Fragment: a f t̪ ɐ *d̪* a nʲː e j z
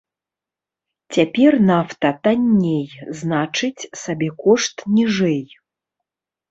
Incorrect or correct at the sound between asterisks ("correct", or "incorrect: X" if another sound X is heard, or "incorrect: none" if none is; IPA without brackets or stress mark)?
incorrect: t̪